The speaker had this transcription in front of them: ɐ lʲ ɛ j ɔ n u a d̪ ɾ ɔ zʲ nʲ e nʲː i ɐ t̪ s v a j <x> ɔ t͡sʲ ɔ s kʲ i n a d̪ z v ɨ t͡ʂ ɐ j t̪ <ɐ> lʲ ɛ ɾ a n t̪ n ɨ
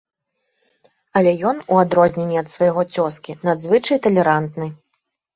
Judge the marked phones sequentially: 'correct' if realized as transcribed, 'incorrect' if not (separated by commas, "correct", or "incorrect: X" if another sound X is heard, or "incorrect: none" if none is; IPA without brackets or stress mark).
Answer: incorrect: ɣ, correct